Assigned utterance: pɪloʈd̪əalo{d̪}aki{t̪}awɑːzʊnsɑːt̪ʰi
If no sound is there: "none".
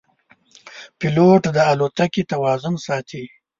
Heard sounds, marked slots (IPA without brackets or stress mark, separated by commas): t̪, t̪